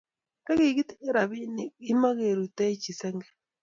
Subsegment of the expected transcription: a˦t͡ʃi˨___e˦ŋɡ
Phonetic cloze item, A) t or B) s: B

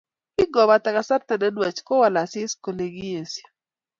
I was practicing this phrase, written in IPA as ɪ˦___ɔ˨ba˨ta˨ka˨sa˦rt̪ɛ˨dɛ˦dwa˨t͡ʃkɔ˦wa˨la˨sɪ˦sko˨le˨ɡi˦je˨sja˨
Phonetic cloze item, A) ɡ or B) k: A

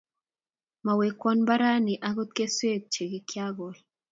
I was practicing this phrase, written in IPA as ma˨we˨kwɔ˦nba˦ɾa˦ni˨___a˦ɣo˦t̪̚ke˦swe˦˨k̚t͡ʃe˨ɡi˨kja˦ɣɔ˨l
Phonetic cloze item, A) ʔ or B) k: A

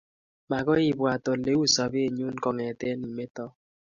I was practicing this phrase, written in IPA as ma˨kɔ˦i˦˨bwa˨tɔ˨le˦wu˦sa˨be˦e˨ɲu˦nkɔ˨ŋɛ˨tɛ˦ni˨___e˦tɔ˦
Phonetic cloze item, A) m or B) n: A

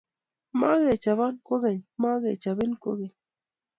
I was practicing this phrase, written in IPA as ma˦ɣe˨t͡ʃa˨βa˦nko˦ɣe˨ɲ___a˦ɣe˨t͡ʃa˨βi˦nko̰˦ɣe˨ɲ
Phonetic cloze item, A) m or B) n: A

